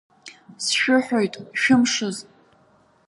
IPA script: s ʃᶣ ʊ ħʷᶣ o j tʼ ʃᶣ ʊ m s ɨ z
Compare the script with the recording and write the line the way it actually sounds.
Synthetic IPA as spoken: s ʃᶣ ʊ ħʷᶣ o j tʼ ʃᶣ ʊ m ʂ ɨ z